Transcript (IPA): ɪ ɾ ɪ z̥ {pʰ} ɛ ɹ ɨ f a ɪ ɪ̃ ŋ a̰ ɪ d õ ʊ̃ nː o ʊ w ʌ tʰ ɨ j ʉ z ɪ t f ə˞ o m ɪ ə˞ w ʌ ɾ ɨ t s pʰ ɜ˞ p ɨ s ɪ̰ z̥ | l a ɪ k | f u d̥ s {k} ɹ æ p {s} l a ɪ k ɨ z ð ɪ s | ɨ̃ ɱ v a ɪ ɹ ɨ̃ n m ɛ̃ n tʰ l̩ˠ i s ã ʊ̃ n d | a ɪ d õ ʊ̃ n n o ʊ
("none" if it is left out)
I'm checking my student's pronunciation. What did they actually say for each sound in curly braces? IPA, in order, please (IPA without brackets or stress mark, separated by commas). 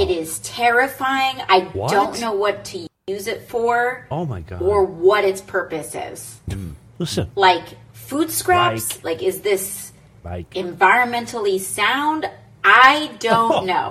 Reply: tʰ, k, s